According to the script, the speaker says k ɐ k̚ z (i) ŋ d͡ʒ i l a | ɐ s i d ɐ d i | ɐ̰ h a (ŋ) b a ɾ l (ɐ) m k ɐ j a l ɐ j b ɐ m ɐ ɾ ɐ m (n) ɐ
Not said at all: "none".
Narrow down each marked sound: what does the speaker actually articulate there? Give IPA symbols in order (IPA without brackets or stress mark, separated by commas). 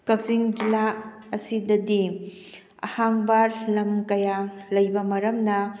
i, ŋ, ɐ, n